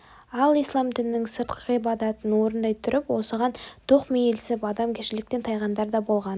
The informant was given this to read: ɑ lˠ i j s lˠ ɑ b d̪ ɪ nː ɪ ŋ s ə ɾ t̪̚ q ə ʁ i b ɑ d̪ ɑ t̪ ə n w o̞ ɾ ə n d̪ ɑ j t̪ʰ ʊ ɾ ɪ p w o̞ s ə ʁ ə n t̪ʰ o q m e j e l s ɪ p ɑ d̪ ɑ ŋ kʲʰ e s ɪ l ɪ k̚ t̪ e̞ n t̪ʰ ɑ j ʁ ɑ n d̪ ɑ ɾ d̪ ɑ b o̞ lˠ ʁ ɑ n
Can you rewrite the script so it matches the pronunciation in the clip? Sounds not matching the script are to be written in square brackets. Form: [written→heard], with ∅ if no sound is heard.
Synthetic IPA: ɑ lˠ i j s lˠ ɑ [b→m] d̪ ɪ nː ɪ ŋ s ə ɾ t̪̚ q ə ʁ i b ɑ d̪ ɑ t̪ ə n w o̞ ɾ ə n d̪ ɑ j t̪ʰ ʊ ɾ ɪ p w o̞ s ə ʁ [ə→ɑ] n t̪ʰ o q m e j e l s ɪ p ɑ d̪ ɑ [ŋ→m] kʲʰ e [s→ʃ] ɪ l ɪ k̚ t̪ e̞ n t̪ʰ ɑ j ʁ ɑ n d̪ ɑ ɾ d̪ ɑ b o̞ lˠ ʁ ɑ n